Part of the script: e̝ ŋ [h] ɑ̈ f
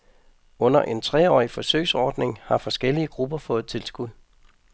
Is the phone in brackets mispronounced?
no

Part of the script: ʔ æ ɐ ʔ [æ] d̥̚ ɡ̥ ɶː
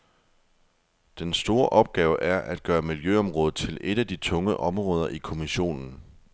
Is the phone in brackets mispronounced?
no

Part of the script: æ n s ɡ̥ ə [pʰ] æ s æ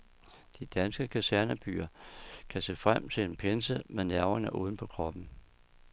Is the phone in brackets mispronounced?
yes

